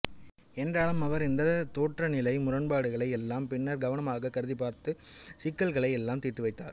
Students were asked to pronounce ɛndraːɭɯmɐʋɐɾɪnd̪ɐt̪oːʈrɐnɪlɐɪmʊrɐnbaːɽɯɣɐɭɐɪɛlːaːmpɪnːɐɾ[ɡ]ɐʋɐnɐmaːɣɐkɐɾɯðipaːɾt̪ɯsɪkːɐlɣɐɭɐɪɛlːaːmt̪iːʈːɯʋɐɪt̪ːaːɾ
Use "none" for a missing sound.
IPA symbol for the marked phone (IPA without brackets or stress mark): ɡ